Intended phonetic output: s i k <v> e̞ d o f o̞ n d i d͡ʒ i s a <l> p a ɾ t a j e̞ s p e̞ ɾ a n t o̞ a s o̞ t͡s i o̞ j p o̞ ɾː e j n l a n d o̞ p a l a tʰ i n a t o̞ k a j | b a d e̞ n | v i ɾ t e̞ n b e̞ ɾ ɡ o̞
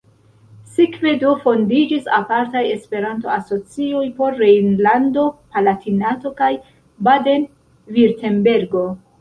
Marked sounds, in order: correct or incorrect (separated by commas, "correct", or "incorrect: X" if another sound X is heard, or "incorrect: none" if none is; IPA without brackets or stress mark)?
correct, incorrect: none